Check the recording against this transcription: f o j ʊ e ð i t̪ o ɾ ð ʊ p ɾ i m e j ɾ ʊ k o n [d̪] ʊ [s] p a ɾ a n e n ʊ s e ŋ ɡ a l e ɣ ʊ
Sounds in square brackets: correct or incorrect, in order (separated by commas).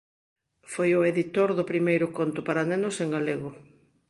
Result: incorrect, incorrect